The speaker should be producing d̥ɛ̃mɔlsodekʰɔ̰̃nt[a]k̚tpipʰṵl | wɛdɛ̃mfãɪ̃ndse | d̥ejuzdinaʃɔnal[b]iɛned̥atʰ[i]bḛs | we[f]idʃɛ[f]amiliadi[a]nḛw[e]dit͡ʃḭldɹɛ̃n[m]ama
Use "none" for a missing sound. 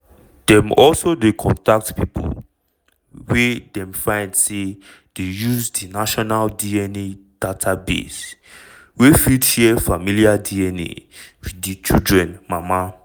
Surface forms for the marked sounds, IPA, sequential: a, d, a, f, f, ɛ, i, m

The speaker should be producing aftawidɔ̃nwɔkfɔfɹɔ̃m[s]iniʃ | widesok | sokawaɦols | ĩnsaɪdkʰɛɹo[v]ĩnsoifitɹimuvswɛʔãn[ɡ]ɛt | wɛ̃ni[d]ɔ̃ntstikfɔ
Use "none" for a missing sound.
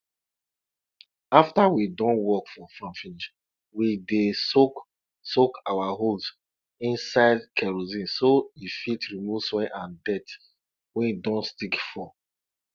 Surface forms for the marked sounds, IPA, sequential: f, z, d, d

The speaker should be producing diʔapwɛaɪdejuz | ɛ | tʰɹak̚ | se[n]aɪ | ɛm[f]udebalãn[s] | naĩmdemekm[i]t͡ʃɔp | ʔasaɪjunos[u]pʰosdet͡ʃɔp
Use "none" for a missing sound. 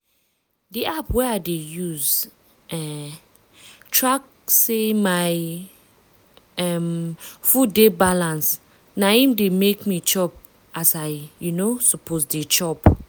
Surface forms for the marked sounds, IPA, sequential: m, f, s, i, ɔ

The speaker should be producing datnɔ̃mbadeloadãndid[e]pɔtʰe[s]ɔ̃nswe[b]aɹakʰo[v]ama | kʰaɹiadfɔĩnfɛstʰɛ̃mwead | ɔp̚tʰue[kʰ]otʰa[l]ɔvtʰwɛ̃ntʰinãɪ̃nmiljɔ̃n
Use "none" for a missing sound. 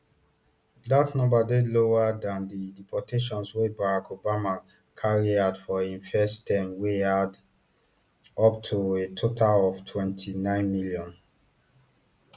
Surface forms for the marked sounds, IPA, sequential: i, ʃ, b, b, tʰ, l

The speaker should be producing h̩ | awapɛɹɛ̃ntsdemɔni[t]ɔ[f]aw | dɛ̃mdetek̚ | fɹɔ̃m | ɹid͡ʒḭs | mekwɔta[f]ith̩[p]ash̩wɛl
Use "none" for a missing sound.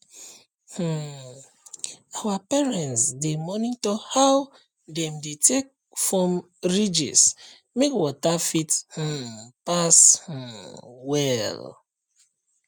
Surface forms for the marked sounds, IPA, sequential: t, h, f, p

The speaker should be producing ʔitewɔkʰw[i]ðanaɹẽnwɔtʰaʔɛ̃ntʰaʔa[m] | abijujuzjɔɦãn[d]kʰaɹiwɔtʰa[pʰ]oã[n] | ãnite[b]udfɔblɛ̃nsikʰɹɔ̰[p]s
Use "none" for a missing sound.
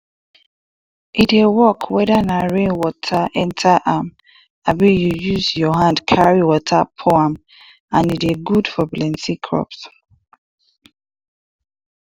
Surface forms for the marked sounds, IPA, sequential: ɛ, m, d, pʰ, m, ɡ, p

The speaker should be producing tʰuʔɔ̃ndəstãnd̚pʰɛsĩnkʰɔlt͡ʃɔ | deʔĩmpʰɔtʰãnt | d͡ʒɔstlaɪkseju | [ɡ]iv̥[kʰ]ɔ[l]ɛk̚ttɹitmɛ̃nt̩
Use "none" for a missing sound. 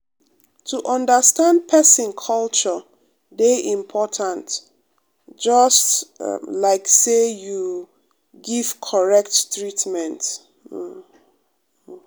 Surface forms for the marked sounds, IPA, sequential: ɡ, kʰ, ɹ

